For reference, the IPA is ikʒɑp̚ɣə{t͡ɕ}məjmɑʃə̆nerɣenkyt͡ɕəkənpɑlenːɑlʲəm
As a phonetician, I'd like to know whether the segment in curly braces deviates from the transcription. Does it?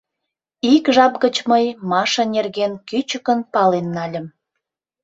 no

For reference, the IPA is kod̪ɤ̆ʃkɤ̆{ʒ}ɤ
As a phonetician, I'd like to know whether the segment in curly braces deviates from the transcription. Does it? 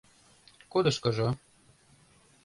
no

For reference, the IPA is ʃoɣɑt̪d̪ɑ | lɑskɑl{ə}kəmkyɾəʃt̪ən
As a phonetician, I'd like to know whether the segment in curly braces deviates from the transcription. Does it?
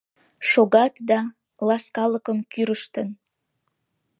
no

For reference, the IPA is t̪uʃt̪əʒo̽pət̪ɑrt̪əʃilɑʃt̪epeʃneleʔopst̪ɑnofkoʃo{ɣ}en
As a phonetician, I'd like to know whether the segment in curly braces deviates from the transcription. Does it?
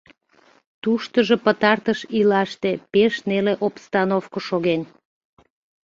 no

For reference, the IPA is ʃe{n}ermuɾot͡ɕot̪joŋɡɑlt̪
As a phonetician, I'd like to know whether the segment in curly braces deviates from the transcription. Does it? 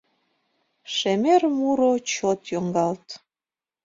yes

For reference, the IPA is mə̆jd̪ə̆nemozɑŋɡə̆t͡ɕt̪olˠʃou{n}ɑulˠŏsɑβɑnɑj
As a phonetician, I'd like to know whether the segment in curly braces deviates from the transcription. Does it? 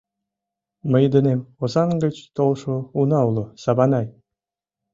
no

